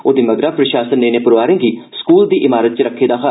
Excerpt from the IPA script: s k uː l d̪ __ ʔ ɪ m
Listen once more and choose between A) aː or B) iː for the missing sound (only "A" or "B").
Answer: B